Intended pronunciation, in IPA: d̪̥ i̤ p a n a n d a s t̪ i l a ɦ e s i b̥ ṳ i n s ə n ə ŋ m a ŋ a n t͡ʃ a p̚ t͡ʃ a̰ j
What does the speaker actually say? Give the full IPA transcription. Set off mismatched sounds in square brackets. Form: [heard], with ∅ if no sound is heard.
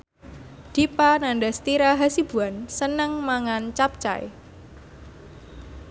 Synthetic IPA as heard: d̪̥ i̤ p a n a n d a s t̪ i [ɾ] a ɦ [a] s i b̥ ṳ [a] n s ə n ə ŋ m a ŋ a n t͡ʃ a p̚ t͡ʃ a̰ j